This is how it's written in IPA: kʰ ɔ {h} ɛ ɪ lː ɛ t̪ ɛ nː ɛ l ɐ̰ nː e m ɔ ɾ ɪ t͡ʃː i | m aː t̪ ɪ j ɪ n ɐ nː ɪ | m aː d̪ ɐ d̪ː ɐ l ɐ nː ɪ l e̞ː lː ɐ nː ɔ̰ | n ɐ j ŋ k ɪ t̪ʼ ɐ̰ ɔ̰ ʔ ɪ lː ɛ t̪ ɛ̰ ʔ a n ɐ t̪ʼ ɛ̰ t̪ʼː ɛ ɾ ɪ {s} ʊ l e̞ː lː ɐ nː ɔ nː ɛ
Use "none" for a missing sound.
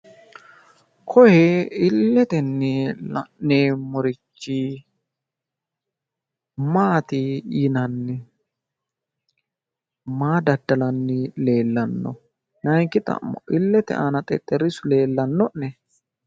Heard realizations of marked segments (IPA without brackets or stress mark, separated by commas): h, s